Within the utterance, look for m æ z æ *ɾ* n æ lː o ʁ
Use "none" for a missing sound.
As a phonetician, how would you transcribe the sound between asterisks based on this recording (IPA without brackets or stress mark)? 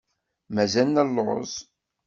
l